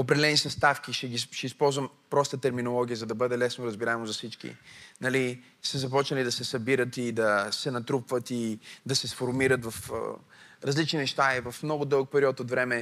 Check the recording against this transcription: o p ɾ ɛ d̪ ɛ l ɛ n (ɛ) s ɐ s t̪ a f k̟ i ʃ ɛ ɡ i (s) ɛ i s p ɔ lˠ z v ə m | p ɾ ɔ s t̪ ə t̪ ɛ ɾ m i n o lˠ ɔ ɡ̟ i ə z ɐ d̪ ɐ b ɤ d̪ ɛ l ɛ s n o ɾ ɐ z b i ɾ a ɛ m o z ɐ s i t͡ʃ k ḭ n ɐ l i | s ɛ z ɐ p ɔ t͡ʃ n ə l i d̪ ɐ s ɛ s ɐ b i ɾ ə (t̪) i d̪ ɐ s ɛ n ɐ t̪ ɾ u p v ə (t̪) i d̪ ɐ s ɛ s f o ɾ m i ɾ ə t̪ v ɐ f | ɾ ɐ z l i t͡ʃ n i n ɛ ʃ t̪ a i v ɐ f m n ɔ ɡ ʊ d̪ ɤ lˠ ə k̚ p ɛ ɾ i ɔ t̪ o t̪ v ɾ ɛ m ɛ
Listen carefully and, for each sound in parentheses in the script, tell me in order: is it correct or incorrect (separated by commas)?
incorrect, incorrect, correct, correct